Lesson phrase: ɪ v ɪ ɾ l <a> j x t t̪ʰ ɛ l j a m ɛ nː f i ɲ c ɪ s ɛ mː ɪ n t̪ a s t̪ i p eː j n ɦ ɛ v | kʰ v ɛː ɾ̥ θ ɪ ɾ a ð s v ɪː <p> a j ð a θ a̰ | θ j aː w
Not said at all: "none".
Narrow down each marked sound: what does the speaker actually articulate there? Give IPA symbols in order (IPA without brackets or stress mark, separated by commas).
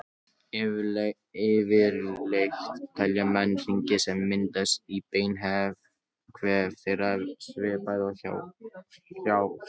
e, p